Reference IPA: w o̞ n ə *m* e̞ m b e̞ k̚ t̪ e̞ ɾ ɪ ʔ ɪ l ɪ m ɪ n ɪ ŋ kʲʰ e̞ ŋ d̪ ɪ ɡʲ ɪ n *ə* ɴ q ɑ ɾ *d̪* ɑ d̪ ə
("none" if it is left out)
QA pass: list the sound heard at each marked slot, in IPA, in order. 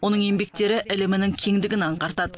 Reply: ɴ, ɑ, t̪

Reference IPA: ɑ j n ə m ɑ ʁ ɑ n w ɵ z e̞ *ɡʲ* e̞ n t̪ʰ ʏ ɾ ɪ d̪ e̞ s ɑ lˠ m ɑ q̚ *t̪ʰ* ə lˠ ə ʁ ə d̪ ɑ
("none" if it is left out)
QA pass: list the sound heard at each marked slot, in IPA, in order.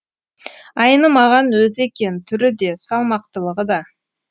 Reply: kʲ, t̪

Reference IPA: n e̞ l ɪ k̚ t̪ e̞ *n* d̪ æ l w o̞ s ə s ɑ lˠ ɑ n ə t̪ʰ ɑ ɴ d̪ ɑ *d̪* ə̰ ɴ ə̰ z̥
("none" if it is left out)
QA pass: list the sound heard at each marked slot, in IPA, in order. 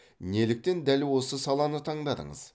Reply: n, d̪

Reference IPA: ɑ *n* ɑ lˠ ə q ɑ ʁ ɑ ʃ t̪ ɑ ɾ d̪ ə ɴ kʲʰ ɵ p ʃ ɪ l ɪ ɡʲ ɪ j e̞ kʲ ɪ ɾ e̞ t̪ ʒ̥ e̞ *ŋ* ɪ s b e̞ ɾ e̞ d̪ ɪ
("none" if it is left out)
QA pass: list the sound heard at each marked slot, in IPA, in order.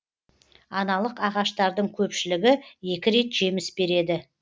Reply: n, m

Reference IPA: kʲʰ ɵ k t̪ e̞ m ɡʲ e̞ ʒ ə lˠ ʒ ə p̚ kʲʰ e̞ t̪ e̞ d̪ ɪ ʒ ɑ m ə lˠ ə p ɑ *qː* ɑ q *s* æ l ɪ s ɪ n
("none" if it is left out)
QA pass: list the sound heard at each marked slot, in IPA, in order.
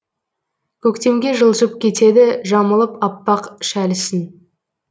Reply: pː, ʃ

